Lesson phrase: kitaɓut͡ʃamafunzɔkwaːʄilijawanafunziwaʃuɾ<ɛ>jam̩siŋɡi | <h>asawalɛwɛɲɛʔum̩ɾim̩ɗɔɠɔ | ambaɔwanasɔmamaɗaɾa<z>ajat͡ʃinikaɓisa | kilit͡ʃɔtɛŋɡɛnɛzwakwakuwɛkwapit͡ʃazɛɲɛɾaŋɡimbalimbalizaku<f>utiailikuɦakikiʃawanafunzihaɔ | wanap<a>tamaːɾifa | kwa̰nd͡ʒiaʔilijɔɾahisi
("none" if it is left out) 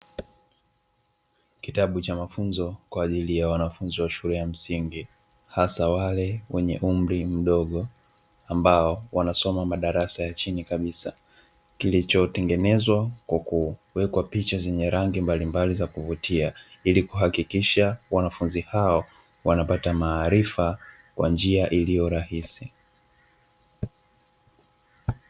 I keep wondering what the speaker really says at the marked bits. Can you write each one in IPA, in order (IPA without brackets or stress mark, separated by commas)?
ɛ, h, s, v, a